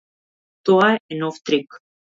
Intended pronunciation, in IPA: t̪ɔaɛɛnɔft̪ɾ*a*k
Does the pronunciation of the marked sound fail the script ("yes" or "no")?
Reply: yes